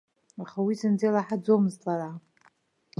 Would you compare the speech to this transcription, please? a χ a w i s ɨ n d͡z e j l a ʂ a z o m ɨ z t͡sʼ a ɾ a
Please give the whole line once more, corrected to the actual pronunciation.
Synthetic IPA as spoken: a χ a w i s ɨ n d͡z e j l a ħ a d͡z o m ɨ z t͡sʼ a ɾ a

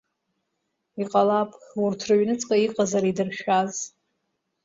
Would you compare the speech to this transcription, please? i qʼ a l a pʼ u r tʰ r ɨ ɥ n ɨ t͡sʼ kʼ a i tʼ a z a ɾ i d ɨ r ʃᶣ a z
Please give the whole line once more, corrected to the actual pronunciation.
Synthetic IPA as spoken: i qʼ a l a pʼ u r tʰ r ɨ ɥ n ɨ t͡sʼ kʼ a i qʼ a z a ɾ i d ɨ r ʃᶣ a z

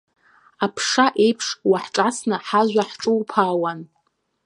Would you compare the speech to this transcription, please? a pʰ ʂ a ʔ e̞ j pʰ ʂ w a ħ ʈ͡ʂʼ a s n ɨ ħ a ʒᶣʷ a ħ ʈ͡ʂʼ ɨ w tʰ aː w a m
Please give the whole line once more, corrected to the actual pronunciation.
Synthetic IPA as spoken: a pʰ ʂ a ʔ e̞ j pʰ ʂ w a ħ ʈ͡ʂʼ a s n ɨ ħ a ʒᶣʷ a ħ ʈ͡ʂʼ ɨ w pʰ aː w a n

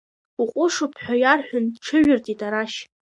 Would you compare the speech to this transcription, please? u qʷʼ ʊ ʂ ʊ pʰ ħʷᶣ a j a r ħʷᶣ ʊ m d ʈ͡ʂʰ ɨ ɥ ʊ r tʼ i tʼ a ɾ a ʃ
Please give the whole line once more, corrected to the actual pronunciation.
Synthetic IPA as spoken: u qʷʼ ʊ ʂ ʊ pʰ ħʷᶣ a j a r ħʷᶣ ʊ n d ʈ͡ʂʰ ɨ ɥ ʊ r tʼ i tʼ a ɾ a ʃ

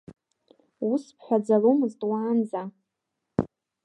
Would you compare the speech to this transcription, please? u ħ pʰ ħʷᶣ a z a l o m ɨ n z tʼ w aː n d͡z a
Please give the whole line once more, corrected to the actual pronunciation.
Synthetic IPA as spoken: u s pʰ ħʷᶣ a d͡z a l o m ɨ z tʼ w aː n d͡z a

